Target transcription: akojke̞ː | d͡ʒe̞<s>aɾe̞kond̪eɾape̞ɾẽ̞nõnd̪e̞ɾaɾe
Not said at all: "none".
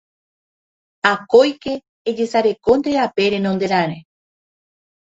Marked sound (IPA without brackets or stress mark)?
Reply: s